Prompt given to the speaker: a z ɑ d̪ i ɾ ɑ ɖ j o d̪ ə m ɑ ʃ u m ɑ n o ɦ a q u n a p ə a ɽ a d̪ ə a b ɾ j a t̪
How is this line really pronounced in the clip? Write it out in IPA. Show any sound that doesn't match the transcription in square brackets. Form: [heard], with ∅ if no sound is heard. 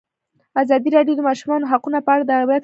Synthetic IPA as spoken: a z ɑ d̪ i ɾ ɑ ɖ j o d̪ ə m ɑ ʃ u m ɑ n o ɦ a q u n a p ə a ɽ a d̪ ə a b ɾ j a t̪